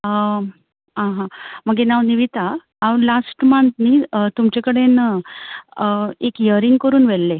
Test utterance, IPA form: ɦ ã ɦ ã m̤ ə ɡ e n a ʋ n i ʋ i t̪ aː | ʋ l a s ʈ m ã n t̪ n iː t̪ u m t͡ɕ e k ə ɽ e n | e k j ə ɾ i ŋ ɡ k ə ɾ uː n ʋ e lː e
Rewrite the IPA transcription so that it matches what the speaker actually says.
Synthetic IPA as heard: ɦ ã ɦ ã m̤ ə ɡ e n a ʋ n i ʋ i t̪ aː | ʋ l a s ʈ m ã n t̪ n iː t̪ u m t͡ɕ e k ə ɽ e n | e k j ə ɾ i ŋ ɡ k ə ɾ uː n ʋ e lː e